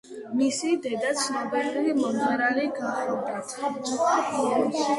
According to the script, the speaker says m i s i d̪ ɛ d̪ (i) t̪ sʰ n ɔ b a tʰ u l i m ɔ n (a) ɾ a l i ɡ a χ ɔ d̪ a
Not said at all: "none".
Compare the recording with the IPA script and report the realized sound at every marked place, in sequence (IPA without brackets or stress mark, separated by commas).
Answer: a, a